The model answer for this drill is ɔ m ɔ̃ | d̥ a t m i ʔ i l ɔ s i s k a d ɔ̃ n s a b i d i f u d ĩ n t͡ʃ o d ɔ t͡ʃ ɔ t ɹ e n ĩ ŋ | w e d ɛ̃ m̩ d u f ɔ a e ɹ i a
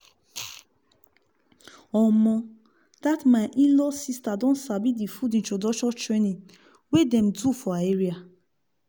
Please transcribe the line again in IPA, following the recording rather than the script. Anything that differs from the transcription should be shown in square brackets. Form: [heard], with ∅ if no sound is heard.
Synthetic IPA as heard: ɔ m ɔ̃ | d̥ a t m [a] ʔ i l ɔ s i s [t] a d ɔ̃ n s a b i d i f u d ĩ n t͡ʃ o d ɔ t͡ʃ ɔ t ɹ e n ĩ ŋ | w e d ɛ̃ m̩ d u f ɔ a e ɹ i a